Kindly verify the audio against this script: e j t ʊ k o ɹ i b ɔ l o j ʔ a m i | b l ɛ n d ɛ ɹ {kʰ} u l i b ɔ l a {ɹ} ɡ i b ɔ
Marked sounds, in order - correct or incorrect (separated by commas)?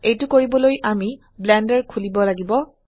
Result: correct, incorrect